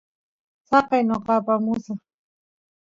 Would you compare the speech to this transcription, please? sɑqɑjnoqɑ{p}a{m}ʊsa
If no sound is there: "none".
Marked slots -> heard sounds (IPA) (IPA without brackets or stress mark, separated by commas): p, m